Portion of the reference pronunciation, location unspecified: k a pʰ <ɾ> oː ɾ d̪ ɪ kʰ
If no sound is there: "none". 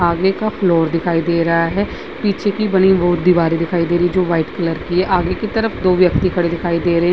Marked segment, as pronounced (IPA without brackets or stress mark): l